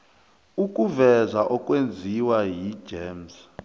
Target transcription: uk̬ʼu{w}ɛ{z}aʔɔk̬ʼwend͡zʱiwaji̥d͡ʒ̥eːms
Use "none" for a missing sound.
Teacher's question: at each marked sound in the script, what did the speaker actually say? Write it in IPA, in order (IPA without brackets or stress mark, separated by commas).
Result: v, z